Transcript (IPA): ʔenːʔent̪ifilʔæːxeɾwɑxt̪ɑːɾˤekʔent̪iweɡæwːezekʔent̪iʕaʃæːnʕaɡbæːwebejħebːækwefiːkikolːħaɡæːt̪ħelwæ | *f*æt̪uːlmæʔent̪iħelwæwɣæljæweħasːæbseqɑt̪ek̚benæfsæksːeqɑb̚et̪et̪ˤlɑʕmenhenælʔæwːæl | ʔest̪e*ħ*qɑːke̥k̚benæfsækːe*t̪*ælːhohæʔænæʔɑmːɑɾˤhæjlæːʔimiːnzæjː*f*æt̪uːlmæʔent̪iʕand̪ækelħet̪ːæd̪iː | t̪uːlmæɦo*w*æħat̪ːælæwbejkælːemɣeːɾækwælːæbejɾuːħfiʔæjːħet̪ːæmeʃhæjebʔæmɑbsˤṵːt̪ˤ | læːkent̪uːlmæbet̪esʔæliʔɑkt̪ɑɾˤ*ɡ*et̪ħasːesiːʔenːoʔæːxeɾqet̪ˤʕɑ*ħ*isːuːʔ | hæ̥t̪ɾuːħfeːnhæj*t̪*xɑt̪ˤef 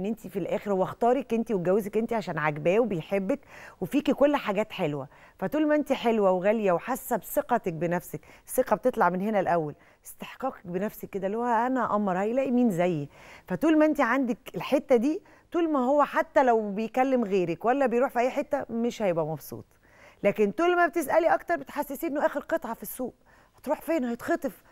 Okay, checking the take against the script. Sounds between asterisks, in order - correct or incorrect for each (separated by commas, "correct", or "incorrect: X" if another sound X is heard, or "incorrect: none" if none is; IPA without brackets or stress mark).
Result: correct, correct, incorrect: d̪, correct, incorrect: wː, incorrect: b, incorrect: f, correct